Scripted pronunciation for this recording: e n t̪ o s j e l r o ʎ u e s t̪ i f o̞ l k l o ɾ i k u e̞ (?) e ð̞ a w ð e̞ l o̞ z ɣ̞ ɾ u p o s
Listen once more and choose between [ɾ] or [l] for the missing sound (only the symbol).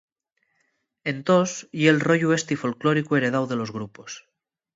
ɾ